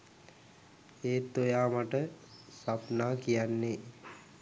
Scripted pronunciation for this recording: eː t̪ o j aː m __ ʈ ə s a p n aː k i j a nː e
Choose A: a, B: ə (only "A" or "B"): A